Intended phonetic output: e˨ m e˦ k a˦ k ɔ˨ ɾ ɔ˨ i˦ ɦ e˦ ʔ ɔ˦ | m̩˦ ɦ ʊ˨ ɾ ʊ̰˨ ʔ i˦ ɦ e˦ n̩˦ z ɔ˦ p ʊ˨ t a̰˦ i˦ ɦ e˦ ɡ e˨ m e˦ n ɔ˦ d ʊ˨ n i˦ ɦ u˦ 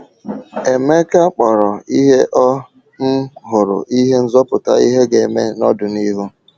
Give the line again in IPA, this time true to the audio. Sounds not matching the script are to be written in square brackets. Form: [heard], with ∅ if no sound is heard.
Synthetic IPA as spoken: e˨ m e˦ k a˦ [k͡p] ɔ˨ ɾ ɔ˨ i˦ ɦ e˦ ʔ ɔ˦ | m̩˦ ɦ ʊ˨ ɾ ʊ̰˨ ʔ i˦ ɦ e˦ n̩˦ z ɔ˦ p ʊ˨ t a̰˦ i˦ ɦ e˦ ɡ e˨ m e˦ n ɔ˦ d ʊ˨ n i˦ ɦ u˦